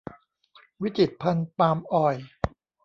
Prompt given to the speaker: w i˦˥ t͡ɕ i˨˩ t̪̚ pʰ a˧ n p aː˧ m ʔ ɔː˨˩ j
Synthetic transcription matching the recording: w i˦˥ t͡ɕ i˨˩ t̪̚ pʰ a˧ n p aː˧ m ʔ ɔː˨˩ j